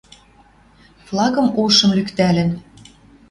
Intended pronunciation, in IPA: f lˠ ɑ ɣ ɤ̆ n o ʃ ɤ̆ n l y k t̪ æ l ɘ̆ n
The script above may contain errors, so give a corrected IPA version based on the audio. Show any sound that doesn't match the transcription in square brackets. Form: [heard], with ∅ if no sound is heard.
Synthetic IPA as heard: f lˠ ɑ ɣ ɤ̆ [m] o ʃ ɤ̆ [m] l y k t̪ æ l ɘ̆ n